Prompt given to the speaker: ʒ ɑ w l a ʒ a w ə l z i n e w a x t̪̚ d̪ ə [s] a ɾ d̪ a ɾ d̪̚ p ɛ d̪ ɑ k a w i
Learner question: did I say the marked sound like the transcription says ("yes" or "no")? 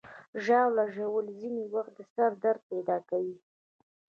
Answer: yes